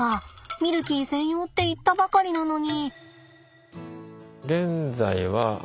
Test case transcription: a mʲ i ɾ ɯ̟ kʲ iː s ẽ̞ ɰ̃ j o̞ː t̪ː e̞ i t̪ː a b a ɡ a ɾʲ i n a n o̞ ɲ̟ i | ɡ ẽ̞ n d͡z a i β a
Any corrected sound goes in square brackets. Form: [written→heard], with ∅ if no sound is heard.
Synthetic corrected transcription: a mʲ i ɾ ɯ̟ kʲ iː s ẽ̞ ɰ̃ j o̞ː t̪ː e̞ i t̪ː a b a [ɡ→k] a ɾʲ i n a n o̞ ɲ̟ i | ɡ ẽ̞ n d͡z a i β a